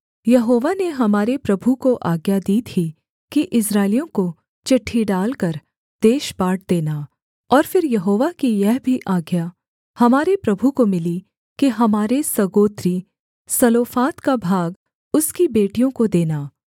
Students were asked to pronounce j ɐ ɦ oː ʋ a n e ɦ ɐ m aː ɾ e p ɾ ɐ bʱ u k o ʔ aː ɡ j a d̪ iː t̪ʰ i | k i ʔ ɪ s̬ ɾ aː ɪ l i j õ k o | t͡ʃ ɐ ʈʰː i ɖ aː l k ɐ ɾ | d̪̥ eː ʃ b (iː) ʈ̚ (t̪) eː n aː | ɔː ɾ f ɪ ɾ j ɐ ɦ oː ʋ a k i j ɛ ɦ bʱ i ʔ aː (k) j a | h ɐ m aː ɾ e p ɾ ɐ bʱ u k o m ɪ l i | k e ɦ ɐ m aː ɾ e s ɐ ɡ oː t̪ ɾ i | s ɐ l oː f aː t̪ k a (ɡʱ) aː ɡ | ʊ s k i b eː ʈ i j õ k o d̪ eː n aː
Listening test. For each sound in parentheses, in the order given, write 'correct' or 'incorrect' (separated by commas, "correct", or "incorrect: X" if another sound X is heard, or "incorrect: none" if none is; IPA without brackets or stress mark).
incorrect: aː, incorrect: d̪, incorrect: ɡ, incorrect: bʱ